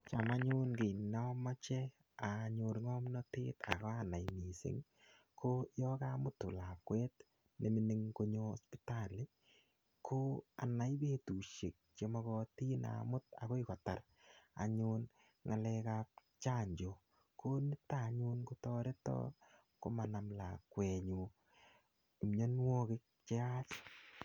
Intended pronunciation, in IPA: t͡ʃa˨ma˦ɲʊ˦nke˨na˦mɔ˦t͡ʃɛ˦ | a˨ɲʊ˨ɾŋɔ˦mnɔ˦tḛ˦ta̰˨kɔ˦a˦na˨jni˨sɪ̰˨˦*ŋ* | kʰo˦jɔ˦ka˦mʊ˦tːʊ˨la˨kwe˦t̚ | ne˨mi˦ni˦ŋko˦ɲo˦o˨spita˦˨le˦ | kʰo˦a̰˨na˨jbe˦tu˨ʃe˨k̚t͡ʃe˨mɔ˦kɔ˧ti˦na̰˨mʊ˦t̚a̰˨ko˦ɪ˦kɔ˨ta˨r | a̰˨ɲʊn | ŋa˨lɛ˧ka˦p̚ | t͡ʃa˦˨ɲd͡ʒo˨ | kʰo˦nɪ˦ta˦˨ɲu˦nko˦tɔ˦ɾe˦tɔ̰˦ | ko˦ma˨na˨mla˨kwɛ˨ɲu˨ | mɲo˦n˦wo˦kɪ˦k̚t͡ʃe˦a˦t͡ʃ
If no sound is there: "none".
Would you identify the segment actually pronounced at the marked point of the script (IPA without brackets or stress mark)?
ŋ